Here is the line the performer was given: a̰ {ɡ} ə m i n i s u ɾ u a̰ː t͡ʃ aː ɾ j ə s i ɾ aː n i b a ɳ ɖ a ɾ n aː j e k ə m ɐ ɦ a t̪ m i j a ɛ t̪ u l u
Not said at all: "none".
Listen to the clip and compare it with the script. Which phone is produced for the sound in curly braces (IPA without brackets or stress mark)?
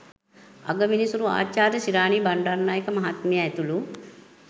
ɡ